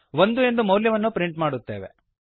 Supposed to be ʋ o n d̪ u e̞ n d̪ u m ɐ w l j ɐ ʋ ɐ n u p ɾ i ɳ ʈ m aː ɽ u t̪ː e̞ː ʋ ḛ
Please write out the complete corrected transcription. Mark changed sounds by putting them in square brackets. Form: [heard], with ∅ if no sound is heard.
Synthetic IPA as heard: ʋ o n d̪ u e̞ n d̪ u m ɐ w l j ɐ ʋ ɐ [nː] u p ɾ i ɳ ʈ m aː ɽ u t̪ː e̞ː ʋ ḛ